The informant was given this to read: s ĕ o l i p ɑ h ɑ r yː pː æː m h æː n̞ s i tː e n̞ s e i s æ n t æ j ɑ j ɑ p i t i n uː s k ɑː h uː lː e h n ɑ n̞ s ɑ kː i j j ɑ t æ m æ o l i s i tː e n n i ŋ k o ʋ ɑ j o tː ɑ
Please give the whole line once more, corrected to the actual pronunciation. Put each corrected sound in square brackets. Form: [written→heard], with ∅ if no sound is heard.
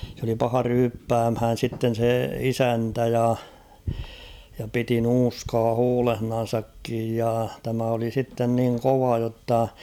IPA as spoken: s ĕ o l i p ɑ h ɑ r yː pː æː m h æː n̞ s i tː e n̞ s e i s æ n t æ j ɑ j ɑ p i t i n uː s k ɑː h uː [lː→l] e h n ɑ n̞ s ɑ kː i j j ɑ t æ m æ o l i s i tː e n n i ŋ k o ʋ ɑ j o tː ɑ